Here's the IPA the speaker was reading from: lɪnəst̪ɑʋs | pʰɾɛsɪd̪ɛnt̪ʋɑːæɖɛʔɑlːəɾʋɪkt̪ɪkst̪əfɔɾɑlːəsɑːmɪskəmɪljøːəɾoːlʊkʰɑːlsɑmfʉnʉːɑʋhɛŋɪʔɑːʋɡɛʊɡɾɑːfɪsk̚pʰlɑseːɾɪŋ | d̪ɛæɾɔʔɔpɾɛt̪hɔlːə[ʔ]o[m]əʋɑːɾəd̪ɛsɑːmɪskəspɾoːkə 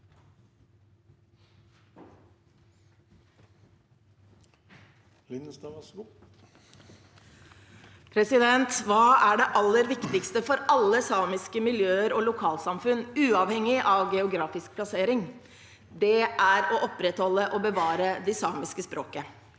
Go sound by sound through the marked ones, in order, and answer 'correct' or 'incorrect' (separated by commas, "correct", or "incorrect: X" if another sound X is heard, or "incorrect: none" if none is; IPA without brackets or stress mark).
correct, incorrect: b